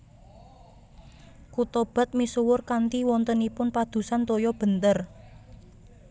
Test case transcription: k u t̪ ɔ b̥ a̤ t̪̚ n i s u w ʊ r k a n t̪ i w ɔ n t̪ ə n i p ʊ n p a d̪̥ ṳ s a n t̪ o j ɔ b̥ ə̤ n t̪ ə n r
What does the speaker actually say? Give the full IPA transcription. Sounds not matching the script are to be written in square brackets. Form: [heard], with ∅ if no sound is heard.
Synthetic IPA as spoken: k u t̪ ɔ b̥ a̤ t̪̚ [m] i s u w ʊ r k a n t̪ i w ɔ n t̪ ə n i p ʊ n p a d̪̥ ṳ s a n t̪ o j ɔ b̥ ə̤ n t̪ ə [∅] r